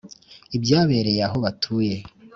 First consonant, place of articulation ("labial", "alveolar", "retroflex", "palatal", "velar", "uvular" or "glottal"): labial